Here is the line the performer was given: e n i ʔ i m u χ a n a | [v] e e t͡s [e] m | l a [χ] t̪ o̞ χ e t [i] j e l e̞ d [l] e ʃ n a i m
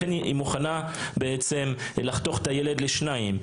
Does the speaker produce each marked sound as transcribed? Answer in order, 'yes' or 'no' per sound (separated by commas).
no, yes, yes, no, yes